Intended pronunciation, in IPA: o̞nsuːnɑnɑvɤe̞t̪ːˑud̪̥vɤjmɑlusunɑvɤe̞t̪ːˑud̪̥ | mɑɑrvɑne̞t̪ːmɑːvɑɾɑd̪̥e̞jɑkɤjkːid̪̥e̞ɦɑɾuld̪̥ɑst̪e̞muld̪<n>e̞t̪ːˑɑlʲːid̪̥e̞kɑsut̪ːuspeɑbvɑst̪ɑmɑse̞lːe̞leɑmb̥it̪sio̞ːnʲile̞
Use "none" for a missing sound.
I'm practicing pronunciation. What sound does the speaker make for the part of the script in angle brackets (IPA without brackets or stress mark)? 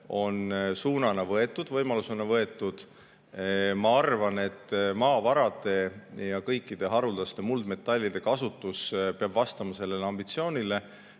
m